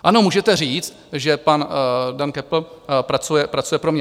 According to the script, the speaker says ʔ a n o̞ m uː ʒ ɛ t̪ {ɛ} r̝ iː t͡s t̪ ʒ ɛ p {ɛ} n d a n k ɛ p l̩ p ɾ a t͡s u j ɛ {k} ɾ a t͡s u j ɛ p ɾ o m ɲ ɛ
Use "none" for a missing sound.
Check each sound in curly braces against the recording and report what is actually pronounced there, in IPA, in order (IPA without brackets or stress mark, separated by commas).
ɛ, a, p